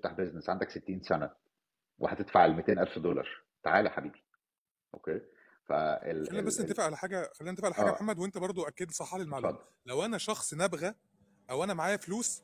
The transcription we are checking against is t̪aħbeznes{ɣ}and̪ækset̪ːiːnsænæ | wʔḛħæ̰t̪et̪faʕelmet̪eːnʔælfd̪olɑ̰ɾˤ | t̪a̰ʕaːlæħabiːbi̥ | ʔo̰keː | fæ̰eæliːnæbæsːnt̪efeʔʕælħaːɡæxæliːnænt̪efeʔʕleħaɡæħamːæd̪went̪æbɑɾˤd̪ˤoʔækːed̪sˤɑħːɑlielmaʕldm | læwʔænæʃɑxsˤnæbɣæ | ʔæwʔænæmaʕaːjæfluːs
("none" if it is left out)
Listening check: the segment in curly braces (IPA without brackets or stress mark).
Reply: ʕ